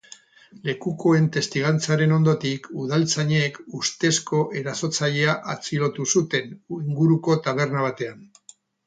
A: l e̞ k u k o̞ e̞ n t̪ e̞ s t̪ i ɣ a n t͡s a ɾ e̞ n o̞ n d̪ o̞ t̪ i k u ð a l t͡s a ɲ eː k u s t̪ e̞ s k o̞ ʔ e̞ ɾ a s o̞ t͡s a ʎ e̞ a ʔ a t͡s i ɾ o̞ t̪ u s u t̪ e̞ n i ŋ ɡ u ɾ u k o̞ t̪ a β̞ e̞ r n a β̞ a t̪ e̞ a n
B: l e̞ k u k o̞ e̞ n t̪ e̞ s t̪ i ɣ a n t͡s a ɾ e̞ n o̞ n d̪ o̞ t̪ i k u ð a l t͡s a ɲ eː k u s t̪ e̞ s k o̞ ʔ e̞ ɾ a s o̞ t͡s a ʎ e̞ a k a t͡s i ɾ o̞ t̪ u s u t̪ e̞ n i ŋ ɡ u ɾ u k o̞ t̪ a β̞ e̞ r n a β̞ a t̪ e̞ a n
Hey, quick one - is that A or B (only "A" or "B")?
A